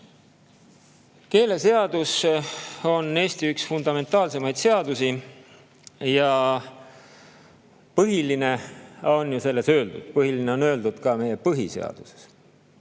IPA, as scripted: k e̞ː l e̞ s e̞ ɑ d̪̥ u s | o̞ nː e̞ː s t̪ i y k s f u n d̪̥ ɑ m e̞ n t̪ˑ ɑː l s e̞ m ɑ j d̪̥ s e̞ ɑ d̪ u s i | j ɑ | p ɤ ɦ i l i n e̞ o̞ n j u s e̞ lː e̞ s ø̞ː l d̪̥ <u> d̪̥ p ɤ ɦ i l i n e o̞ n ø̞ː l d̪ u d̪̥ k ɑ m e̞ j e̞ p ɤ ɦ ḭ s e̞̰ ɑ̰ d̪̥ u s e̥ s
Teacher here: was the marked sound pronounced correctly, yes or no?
yes